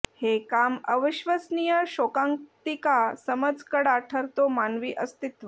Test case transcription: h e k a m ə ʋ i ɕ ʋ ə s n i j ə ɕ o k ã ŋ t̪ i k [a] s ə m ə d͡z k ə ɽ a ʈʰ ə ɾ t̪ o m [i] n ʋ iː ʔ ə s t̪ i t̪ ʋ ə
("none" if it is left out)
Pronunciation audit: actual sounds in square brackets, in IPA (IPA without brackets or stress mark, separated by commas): a, a